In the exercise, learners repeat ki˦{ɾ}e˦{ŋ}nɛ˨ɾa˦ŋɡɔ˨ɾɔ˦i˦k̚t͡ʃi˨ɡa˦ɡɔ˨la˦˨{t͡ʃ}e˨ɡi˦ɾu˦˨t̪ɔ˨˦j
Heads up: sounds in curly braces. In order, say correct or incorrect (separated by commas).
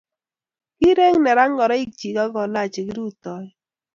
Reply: correct, correct, correct